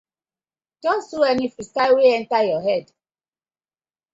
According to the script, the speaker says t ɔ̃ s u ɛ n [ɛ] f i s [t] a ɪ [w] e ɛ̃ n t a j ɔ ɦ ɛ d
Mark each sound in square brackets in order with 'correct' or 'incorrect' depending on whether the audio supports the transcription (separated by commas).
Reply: incorrect, correct, correct